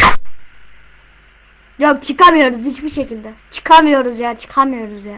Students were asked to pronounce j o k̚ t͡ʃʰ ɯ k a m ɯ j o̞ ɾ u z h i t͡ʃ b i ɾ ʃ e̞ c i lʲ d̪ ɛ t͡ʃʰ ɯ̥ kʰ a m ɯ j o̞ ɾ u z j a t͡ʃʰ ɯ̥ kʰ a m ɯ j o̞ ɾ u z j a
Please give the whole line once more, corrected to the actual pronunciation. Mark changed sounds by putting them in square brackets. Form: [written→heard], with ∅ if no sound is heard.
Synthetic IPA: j o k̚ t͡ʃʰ ɯ k a m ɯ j o̞ ɾ u z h i t͡ʃ b i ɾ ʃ e̞ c i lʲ d̪ ɛ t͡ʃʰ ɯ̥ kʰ a m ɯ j o̞ ɾ u z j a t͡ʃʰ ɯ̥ kʰ a m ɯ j o̞ ɾ u z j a